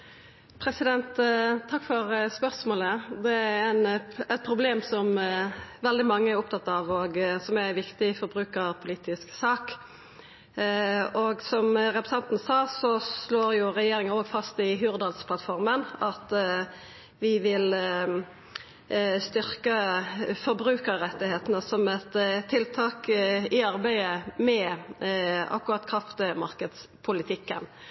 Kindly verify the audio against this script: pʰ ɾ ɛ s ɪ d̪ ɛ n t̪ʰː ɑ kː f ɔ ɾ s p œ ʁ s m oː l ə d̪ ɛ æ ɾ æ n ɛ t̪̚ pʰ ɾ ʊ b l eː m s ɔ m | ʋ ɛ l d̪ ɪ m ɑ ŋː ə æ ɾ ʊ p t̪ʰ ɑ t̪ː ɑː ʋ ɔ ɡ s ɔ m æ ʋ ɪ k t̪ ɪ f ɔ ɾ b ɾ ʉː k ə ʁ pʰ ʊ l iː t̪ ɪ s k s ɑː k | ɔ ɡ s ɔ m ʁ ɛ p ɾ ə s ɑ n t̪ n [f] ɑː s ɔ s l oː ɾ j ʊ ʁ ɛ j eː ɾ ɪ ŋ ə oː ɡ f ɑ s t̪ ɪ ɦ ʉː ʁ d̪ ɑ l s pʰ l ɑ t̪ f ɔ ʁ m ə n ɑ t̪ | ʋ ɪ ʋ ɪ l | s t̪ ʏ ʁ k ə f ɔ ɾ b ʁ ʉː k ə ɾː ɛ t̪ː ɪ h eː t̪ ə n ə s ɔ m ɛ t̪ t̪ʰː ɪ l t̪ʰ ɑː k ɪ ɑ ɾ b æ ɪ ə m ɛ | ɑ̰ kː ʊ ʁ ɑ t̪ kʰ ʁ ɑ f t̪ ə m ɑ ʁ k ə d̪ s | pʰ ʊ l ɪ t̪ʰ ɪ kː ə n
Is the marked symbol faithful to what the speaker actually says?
no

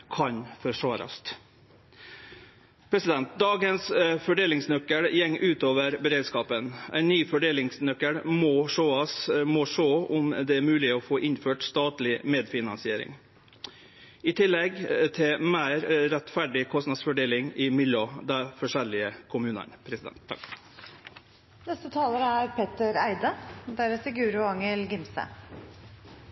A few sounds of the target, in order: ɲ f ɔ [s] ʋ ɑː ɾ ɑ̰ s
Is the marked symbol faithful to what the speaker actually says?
no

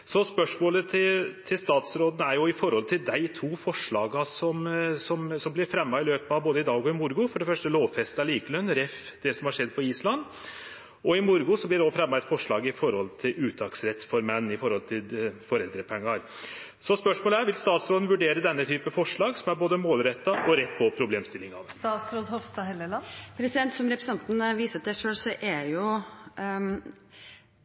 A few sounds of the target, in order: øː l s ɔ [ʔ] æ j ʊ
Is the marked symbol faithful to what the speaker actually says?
yes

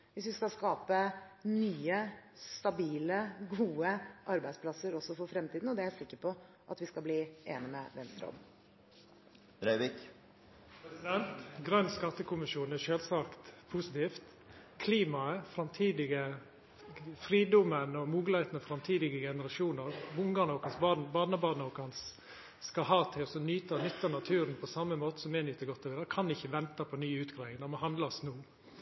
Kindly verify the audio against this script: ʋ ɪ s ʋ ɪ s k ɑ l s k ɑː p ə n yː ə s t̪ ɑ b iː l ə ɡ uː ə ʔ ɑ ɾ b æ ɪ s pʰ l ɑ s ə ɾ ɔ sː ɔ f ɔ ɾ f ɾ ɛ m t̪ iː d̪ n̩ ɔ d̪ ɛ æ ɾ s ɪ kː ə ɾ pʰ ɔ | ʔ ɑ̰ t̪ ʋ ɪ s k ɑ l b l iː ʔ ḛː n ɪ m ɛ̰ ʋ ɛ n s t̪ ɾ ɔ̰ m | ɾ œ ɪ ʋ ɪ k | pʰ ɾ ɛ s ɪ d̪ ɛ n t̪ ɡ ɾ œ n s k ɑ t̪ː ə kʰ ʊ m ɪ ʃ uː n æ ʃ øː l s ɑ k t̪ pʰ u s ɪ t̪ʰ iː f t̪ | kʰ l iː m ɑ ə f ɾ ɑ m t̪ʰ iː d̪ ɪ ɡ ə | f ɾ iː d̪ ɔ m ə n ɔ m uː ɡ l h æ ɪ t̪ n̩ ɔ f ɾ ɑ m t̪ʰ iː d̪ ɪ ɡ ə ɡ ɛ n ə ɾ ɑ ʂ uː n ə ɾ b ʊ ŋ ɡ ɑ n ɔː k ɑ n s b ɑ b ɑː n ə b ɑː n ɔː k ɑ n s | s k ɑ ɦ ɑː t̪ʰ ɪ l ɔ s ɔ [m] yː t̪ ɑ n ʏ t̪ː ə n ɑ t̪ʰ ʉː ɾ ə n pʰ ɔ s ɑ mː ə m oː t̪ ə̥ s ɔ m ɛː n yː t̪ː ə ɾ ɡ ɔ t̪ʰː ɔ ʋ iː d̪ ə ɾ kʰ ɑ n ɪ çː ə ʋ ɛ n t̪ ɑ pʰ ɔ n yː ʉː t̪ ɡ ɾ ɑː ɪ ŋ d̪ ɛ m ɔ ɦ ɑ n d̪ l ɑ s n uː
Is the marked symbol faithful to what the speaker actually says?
no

